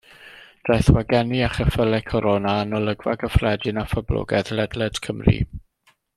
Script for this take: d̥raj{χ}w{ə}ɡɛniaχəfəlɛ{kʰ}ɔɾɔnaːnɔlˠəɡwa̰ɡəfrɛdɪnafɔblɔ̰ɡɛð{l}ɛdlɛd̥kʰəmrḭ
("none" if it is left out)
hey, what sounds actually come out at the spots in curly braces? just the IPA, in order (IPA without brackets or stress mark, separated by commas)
θ, a, kʰ, l